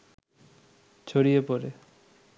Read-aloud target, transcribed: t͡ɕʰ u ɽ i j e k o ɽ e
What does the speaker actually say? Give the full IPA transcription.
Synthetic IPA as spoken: t͡ɕʰ o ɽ i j e p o ɾ e